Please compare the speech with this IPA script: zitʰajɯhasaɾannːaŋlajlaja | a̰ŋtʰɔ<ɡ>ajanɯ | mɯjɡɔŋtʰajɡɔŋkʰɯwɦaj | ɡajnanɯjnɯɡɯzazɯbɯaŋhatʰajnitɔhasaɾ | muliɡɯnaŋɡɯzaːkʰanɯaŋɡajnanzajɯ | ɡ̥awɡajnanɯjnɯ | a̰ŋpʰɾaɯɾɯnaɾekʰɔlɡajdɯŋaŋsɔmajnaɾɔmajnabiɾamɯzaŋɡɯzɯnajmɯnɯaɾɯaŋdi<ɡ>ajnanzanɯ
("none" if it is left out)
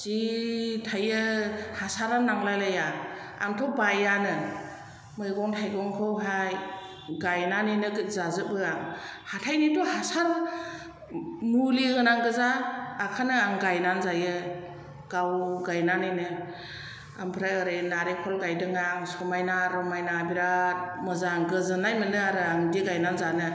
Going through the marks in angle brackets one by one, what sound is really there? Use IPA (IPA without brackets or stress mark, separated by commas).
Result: b, ɡ